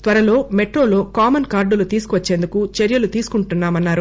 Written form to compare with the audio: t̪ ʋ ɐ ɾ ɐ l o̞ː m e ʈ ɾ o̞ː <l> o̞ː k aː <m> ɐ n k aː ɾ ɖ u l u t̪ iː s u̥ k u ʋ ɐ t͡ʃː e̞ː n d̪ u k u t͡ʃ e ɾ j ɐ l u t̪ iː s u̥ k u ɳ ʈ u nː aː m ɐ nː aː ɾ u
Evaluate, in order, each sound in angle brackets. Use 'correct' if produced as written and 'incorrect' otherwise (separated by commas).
correct, correct